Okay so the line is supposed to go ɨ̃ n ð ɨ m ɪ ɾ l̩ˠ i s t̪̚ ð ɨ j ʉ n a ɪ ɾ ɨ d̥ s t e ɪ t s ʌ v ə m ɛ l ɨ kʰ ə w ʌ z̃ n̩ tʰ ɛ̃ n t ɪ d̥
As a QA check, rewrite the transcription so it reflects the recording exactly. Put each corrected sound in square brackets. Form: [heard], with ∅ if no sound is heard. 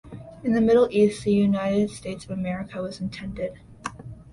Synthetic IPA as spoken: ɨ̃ n ð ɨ m ɪ ɾ l̩ˠ i s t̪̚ ð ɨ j ʉ n a ɪ ɾ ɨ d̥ s t e ɪ t s ʌ v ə m ɛ [ɹ] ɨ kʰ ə w ʌ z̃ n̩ tʰ ɛ̃ n [d] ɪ d̥